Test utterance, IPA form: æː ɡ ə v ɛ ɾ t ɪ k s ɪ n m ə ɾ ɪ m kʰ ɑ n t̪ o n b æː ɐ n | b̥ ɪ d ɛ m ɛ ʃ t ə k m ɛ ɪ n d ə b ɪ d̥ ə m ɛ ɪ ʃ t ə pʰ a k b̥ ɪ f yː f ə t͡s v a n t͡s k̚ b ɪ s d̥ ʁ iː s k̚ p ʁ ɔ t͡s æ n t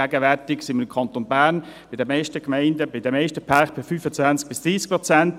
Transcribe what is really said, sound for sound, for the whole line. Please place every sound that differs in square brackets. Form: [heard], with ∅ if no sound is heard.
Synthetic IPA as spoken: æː ɡ ə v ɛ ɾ t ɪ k s ɪ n m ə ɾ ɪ m kʰ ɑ n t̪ o n b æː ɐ n | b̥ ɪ d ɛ m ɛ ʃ t ə k m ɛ ɪ n d ə b ɪ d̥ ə m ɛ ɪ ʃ t ə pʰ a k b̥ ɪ f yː f ə t͡s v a n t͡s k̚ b ɪ s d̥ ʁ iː s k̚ p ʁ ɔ t͡s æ n t